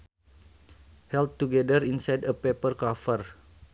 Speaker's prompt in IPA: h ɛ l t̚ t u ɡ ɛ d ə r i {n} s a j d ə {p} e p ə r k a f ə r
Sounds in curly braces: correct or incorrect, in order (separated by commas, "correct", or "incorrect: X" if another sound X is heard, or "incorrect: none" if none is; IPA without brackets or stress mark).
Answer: correct, correct